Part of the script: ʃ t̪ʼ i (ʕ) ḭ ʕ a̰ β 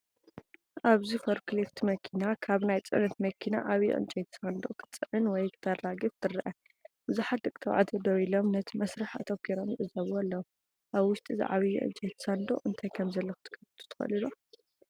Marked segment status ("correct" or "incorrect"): incorrect